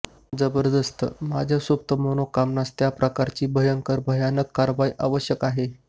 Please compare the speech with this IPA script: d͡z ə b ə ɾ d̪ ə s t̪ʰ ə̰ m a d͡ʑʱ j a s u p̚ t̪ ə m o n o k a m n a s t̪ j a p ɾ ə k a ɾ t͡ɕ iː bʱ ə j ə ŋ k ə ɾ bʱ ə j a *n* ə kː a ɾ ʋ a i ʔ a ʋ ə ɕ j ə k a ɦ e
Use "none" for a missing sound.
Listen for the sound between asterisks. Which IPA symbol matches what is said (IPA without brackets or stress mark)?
n